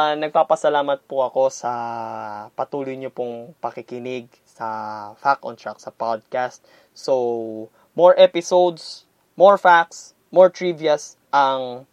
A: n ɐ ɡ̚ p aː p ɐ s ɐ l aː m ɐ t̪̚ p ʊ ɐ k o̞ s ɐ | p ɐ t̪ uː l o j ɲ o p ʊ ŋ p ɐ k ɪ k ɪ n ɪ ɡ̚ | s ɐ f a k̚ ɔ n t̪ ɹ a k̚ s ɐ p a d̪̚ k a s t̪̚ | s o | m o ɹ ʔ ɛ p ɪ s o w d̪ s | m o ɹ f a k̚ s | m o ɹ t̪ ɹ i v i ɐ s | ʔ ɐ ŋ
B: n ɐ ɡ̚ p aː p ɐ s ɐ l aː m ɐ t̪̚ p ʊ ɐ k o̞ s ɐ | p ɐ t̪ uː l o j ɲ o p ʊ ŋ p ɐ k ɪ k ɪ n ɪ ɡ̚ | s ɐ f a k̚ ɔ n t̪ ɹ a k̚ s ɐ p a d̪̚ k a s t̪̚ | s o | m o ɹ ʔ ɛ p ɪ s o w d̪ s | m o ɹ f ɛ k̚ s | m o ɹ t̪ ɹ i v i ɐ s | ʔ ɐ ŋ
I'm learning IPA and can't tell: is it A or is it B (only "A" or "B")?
A